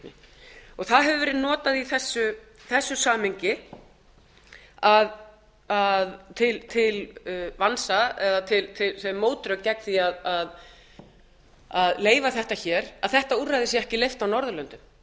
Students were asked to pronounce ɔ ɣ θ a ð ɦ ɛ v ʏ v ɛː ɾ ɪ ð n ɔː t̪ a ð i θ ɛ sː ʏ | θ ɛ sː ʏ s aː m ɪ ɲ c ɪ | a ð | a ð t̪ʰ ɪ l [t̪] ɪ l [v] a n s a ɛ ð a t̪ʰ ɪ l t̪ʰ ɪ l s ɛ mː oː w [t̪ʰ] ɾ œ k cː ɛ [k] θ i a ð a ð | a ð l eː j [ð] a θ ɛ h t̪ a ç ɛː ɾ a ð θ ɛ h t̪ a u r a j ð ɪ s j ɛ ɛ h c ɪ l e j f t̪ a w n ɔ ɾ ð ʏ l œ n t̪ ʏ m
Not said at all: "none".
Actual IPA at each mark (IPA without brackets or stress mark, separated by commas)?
t̪ʰ, v, t̪, k, v